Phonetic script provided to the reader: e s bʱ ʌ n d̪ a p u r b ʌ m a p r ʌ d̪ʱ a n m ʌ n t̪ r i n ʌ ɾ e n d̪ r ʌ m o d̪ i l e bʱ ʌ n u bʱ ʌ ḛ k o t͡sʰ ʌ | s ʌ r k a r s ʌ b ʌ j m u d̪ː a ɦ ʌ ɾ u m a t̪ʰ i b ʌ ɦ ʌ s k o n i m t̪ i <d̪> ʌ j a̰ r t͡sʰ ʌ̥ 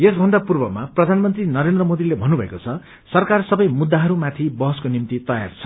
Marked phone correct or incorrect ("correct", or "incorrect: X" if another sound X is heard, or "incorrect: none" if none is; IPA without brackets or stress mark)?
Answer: incorrect: t̪